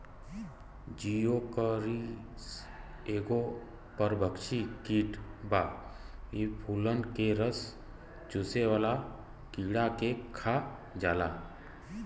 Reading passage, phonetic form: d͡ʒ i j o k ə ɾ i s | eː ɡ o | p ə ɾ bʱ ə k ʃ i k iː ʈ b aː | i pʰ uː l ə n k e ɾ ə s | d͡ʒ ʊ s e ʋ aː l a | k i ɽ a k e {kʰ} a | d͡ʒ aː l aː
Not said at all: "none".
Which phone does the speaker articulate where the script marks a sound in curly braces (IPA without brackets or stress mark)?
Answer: kʰ